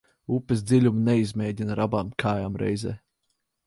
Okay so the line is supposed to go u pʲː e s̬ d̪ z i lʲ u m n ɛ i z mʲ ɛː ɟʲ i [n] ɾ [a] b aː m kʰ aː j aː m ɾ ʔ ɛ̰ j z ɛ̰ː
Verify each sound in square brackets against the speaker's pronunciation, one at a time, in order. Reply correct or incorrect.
correct, correct

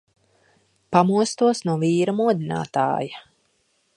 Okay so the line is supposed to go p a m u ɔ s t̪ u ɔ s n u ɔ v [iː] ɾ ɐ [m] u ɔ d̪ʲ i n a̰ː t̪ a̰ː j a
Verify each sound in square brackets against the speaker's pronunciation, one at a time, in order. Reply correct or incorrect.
correct, correct

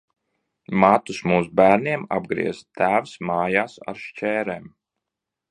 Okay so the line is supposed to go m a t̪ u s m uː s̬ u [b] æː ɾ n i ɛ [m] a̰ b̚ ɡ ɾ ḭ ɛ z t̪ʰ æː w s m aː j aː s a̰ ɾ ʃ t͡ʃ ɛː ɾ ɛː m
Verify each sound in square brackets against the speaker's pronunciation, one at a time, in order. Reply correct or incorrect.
correct, correct

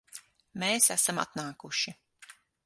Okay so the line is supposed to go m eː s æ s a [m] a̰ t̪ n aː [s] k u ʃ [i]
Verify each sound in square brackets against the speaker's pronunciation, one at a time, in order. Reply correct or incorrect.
correct, incorrect, correct

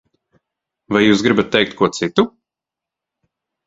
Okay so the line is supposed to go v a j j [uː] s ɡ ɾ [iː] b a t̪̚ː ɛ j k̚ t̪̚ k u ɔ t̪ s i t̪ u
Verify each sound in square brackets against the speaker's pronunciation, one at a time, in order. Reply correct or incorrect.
correct, incorrect

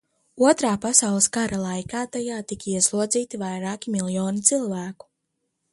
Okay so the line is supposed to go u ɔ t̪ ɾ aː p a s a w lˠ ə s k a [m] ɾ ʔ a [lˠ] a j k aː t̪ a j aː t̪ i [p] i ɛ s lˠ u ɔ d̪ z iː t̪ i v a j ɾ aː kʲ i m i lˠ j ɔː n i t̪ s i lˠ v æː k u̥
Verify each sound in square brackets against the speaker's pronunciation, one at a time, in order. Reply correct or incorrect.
incorrect, correct, incorrect

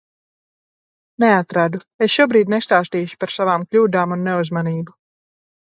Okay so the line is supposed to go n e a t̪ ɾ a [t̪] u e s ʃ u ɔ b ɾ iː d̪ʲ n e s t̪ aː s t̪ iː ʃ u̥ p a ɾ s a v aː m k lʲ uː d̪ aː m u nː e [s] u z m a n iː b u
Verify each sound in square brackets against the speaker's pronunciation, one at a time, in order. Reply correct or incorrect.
incorrect, incorrect

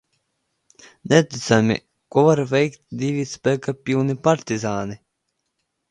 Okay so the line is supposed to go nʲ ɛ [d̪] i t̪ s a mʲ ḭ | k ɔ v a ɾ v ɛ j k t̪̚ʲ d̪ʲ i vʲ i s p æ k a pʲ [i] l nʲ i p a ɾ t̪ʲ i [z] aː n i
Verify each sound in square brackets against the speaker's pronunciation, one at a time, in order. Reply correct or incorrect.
incorrect, correct, correct

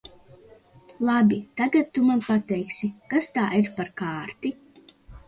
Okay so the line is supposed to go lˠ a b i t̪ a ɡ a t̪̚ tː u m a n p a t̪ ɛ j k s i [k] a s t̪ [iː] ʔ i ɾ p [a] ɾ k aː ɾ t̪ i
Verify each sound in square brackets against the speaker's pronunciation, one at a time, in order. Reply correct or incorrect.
correct, incorrect, correct

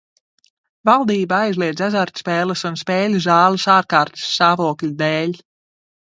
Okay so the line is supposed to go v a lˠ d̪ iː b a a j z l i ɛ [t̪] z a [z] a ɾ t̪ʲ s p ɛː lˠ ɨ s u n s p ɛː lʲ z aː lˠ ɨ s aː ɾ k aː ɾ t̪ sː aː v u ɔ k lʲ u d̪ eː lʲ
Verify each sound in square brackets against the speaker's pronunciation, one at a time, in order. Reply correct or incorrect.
incorrect, correct

